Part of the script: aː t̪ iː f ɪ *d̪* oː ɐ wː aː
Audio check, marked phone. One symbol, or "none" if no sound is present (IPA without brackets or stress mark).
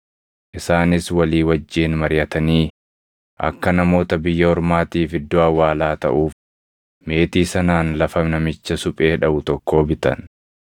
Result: d̪ː